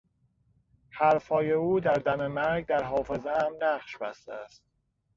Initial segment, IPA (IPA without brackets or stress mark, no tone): h